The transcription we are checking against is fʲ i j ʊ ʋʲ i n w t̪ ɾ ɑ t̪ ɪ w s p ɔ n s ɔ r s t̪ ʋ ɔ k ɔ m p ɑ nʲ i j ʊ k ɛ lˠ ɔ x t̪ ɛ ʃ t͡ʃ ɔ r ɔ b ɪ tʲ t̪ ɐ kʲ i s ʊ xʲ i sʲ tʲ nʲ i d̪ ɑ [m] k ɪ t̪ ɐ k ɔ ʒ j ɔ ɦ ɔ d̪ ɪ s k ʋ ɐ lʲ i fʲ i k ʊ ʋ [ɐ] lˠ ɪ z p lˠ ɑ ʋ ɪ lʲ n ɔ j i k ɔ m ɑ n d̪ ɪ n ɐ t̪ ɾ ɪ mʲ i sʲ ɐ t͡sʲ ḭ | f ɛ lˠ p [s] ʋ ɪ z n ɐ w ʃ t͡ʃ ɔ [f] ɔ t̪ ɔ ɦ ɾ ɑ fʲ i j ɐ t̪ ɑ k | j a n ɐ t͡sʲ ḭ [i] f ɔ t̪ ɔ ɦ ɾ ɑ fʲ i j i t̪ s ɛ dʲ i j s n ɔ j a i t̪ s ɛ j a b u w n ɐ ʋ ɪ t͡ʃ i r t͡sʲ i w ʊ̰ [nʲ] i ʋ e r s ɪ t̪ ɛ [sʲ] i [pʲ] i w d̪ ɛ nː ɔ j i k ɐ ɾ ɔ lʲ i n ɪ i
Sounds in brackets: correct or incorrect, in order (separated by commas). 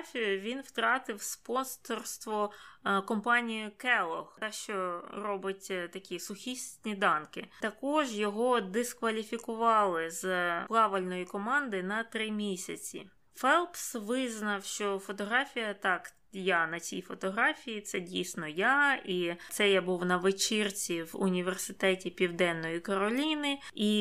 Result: incorrect, incorrect, correct, correct, incorrect, correct, incorrect, correct